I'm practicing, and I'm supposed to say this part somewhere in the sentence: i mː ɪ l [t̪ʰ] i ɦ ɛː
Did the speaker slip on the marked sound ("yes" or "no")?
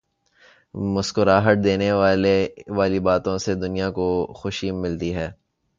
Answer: yes